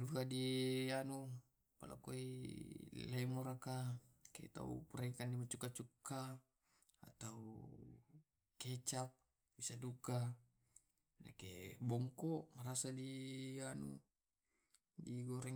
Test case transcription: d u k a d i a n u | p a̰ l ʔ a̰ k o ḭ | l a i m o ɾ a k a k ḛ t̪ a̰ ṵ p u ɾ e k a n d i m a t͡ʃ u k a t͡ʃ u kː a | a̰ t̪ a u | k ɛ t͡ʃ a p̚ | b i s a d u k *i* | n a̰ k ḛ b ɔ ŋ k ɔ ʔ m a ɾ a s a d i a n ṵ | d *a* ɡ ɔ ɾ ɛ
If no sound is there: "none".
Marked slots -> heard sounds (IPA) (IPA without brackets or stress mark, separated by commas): a, i